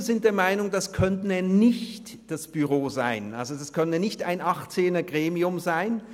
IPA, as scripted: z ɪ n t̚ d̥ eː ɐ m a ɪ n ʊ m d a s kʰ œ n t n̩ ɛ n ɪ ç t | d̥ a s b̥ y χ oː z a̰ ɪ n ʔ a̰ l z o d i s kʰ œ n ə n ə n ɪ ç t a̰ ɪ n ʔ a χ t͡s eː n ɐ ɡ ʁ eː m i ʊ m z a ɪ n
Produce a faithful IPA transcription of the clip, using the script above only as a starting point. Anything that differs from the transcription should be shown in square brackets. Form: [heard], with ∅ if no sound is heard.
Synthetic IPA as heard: z ɪ n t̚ d̥ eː ɐ m a ɪ n ʊ [ŋ] d a s kʰ œ n t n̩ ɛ n ɪ ç t | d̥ a s b̥ y [ʁ] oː z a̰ ɪ n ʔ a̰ l z o d [a] s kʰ œ n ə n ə n ɪ ç t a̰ ɪ n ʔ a χ t͡s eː n ɐ ɡ ʁ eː m i ʊ m z a ɪ n